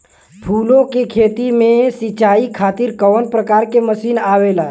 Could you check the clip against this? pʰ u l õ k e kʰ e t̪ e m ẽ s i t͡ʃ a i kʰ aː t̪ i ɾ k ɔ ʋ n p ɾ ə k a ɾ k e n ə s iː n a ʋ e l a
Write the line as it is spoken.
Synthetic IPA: pʰ u l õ k e kʰ e t̪ i m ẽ s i t͡ʃ a i kʰ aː t̪ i ɾ k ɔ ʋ n p ɾ ə k a ɾ k e m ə s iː n a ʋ e l a